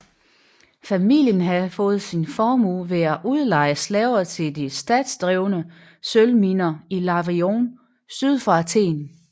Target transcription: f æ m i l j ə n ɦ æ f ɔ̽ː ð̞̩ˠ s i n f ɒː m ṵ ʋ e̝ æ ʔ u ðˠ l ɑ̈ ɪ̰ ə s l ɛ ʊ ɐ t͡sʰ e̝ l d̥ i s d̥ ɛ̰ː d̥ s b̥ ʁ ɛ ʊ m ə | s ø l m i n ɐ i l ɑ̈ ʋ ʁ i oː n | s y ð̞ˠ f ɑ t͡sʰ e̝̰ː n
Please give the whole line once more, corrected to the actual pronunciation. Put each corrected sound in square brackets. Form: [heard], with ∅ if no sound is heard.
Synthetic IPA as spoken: f æ m i l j ə n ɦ æ f ɔ̽ː ð̞̩ˠ s i n f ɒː m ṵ ʋ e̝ æ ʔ u ðˠ l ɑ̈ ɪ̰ ə s l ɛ ʊ ɐ t͡sʰ e̝ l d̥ i s d̥ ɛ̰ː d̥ s [d̥] ʁ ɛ ʊ [n] ə | s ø l m i n ɐ i l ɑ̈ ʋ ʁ i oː n | s y ð̞ˠ f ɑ t͡sʰ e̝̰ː n